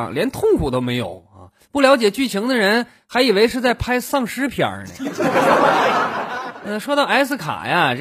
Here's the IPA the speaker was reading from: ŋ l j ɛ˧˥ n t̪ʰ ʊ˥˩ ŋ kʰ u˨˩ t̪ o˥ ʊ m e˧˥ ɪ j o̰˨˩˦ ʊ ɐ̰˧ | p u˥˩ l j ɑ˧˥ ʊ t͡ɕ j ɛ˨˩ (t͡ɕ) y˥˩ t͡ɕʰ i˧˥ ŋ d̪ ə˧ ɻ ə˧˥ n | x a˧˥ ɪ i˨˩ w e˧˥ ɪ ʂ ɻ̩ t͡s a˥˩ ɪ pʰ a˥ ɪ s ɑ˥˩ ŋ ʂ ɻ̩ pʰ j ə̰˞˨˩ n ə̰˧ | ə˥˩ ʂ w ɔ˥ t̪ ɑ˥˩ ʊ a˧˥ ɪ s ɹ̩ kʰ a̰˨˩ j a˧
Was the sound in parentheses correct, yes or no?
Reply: yes